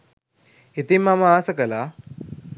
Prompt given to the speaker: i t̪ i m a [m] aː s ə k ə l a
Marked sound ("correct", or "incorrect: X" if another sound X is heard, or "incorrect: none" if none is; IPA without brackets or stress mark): correct